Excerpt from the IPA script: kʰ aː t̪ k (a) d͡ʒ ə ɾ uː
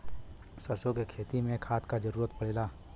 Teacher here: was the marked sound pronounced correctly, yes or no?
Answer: yes